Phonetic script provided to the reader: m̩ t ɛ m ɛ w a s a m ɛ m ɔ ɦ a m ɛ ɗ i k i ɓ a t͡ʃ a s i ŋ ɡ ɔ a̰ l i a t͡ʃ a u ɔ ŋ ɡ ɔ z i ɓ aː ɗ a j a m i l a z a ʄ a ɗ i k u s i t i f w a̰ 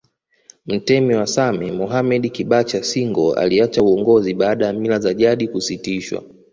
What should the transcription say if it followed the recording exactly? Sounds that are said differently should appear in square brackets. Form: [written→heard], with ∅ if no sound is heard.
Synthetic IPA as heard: m̩ t ɛ m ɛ w a s a m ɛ m ɔ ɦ a m ɛ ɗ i k i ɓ a t͡ʃ a s i ŋ ɡ ɔ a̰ l i a t͡ʃ a u ɔ ŋ ɡ ɔ z i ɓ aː ɗ a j a m i l a z a ʄ a ɗ i k u s i t i [f→ʃ] w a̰